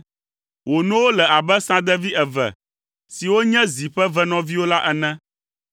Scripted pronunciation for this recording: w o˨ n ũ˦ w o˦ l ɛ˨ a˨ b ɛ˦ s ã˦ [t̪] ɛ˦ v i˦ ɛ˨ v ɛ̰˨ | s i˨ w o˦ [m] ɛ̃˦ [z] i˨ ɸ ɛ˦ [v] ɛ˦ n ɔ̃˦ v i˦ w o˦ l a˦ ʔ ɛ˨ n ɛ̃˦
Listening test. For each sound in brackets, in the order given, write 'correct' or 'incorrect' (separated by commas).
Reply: incorrect, incorrect, correct, correct